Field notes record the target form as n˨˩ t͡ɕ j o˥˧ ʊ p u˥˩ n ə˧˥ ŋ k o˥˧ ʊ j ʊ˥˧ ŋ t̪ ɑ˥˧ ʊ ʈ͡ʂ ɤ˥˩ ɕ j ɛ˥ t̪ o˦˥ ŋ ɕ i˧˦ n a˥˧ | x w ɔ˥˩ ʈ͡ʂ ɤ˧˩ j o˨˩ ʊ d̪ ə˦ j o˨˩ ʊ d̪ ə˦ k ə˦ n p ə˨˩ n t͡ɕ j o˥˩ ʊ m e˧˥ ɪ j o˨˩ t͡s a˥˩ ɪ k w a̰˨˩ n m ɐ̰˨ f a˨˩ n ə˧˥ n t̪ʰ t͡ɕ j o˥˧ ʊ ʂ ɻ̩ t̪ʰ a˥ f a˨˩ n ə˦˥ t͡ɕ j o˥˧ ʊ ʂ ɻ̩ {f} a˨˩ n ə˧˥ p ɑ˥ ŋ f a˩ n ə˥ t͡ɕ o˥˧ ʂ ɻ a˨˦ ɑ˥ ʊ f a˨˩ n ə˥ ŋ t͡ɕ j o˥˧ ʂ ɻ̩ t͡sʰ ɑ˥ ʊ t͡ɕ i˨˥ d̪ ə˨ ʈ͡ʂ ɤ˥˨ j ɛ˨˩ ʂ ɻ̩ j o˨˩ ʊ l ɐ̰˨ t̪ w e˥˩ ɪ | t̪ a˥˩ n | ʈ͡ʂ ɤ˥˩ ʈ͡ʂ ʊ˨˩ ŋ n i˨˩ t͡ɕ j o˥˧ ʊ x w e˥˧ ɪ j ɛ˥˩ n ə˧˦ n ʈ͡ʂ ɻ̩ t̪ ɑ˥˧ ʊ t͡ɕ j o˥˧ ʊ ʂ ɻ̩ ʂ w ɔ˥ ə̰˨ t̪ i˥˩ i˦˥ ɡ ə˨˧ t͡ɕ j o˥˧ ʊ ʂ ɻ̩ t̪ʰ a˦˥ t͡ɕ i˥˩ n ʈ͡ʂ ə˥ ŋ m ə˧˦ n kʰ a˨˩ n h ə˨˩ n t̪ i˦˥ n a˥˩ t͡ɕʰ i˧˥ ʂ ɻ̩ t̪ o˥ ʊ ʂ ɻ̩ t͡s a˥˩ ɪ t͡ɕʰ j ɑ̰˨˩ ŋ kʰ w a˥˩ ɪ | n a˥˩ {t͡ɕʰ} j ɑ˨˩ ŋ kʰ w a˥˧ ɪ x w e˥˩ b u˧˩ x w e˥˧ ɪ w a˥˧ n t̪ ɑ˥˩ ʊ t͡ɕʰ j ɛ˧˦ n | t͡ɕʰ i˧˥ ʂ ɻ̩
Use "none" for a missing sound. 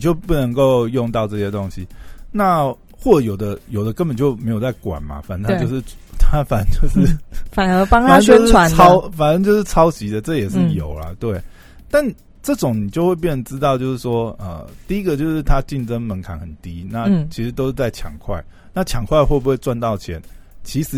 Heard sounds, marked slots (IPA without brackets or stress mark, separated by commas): f, t͡ɕʰ